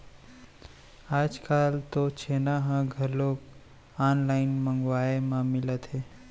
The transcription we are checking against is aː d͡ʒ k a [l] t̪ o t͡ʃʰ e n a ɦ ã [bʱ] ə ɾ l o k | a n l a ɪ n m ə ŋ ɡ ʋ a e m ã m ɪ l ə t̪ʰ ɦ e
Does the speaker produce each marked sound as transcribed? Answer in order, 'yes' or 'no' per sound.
yes, no

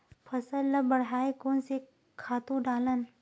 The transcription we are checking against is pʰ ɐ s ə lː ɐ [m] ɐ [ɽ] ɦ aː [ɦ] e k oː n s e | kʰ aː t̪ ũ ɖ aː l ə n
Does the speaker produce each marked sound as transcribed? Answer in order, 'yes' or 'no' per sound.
no, yes, no

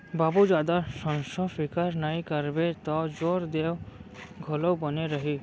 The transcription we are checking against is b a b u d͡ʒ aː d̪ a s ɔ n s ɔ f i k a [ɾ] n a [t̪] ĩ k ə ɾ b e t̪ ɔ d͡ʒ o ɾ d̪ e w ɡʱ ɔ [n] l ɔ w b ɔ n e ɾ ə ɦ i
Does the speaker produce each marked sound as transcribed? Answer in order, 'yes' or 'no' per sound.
yes, no, no

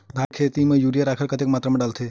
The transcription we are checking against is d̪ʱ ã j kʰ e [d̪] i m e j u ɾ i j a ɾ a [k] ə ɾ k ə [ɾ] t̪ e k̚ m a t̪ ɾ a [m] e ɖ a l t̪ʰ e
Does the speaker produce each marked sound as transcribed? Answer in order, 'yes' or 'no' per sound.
no, no, no, yes

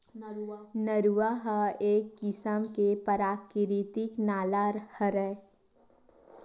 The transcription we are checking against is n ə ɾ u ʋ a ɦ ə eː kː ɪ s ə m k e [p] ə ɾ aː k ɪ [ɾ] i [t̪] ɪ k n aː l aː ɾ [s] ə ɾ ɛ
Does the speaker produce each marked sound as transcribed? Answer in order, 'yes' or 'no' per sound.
yes, yes, yes, no

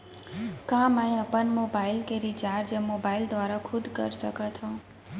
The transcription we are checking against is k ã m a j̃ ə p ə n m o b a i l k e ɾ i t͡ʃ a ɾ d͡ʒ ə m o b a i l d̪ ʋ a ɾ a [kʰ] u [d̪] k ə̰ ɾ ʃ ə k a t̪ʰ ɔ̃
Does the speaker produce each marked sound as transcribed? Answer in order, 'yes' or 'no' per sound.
yes, yes

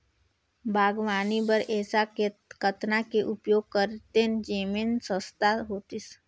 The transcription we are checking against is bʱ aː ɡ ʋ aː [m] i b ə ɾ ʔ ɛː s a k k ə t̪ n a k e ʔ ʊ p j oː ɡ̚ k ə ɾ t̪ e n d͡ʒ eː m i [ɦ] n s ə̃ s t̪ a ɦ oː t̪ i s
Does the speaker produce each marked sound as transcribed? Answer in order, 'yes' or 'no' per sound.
no, no

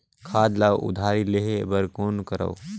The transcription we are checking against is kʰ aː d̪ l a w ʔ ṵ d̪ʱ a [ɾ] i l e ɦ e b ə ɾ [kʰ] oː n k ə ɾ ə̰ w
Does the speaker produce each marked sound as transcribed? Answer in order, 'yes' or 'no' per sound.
yes, no

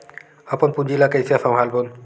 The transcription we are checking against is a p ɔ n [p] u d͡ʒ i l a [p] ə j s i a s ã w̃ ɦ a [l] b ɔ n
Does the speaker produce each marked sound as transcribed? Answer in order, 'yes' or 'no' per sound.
yes, no, yes

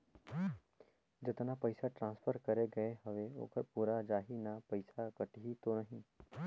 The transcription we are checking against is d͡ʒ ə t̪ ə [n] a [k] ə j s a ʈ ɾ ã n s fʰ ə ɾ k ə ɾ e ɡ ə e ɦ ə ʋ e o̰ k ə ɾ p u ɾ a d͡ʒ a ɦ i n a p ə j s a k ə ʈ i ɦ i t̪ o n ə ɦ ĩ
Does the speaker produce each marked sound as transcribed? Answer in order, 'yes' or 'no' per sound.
yes, no

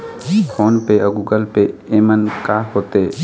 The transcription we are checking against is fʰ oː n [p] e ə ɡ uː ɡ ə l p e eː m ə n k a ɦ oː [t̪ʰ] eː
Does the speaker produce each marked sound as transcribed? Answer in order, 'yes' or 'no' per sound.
yes, no

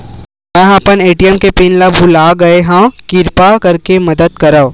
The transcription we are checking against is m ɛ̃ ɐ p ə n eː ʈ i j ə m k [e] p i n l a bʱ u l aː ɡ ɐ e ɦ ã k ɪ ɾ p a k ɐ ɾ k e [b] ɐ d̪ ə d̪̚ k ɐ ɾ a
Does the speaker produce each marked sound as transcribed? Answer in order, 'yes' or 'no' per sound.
yes, no

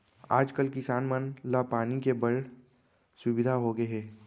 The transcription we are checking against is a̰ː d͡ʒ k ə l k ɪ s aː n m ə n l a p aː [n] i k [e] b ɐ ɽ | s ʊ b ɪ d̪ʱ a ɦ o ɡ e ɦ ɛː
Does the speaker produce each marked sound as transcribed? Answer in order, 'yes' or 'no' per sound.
yes, yes

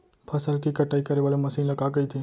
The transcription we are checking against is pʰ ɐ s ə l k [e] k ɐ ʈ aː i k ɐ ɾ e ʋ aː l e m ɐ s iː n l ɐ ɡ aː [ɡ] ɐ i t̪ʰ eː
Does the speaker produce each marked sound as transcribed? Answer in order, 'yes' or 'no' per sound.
no, yes

